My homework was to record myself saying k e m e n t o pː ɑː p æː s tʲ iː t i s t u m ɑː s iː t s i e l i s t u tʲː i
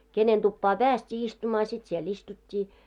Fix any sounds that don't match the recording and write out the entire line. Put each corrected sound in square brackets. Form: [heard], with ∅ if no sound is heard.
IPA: k e [n] e n t [u] pː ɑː p æː s tʲ iː [∅] i s t u m ɑː s [i] t s i e l i s t u tʲː [iː]